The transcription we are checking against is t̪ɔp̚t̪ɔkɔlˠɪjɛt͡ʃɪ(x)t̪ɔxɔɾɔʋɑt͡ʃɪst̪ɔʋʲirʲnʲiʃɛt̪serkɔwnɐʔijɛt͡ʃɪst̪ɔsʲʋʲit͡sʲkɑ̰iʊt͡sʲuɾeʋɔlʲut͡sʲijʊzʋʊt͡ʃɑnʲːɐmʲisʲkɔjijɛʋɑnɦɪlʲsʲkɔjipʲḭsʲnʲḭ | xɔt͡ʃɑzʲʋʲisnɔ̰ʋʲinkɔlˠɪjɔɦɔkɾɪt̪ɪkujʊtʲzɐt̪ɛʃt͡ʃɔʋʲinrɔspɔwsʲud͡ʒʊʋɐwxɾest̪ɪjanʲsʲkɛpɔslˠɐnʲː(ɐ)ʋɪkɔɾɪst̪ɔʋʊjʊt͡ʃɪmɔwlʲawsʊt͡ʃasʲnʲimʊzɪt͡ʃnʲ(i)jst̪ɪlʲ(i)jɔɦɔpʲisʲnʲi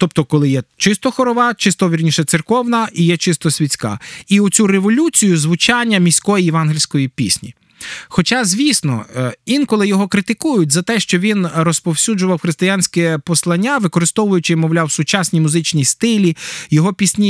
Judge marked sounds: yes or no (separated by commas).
no, no, yes, yes